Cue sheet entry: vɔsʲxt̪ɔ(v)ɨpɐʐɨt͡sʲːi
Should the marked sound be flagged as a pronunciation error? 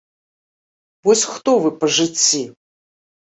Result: no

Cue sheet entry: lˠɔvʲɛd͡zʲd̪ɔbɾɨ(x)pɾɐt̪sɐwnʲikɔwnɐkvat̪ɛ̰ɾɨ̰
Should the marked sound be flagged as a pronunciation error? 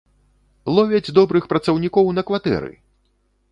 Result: no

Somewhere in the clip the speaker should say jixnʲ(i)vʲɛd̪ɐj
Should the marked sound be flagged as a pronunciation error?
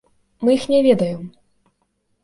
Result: yes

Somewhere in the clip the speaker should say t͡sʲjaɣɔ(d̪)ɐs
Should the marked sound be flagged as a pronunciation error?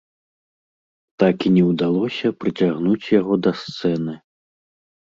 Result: no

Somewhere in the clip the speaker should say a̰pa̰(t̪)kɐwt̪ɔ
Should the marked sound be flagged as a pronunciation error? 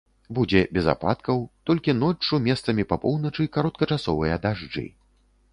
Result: no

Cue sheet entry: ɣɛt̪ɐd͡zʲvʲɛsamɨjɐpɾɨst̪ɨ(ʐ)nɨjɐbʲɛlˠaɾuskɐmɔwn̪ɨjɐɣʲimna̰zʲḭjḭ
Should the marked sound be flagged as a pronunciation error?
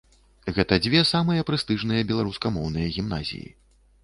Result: no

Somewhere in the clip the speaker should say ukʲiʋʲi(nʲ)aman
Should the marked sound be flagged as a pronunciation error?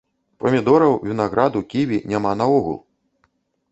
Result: no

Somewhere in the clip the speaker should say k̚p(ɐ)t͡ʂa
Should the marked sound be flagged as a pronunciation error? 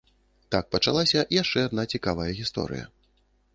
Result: no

